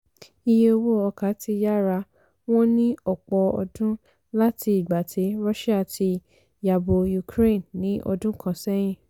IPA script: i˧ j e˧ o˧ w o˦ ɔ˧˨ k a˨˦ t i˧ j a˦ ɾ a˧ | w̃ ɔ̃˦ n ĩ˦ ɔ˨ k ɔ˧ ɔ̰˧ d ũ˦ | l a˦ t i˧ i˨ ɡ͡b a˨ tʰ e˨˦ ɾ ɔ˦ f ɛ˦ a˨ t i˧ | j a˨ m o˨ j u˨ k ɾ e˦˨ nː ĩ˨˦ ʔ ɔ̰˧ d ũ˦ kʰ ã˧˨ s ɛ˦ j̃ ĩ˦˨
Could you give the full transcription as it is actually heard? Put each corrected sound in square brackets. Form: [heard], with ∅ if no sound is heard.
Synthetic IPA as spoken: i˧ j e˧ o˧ w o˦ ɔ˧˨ k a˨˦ t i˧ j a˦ ɾ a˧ | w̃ ɔ̃˦ n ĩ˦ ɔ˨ [k͡p] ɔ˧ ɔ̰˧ d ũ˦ | l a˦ t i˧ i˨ ɡ͡b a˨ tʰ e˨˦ ɾ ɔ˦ [ʃ] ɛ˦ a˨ t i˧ | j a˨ [b] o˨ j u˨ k ɾ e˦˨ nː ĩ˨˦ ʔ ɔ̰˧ d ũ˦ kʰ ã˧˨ s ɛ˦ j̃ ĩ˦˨